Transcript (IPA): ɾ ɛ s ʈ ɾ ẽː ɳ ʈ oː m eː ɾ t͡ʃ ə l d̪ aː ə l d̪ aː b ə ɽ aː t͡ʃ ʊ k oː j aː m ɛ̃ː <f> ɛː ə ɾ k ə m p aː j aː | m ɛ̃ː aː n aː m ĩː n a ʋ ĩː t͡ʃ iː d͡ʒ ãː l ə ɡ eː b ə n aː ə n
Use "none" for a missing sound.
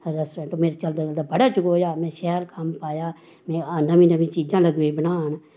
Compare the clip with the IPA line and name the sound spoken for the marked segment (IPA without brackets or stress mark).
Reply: ʃ